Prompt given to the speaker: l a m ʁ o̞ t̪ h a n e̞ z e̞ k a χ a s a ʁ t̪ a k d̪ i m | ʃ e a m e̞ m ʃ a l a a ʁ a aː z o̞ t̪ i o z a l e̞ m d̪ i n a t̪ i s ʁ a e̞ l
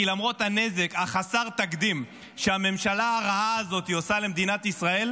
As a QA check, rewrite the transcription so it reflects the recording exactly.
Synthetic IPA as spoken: l a m ʁ o̞ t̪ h a n e̞ z e̞ k a χ a s a ʁ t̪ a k d̪ i m | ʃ e a m e̞ m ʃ a l a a ʁ a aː z o̞ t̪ i o s a l e̞ m d̪ i n a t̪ i s ʁ a e̞ l